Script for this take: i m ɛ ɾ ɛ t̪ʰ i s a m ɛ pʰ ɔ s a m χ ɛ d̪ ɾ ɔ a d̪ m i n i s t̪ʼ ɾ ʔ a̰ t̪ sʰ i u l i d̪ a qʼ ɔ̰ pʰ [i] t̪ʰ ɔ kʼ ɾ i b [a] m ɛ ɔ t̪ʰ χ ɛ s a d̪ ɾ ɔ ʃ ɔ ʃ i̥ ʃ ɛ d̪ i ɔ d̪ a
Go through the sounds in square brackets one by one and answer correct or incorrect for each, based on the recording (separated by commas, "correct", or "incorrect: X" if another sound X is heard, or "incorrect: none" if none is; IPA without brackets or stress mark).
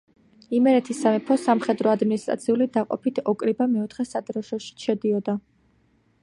correct, correct